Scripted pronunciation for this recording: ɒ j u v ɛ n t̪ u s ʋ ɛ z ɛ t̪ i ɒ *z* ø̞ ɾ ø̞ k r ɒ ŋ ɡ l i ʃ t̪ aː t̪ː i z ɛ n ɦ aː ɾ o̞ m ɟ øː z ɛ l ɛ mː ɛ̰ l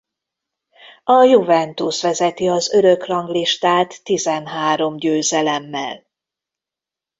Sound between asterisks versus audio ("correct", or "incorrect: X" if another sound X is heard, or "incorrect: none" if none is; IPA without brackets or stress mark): correct